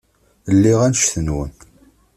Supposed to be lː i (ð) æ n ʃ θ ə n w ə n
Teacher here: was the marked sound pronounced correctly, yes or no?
no